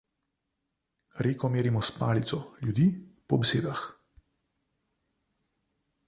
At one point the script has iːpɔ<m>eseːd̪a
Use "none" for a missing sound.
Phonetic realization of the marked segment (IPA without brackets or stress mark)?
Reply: b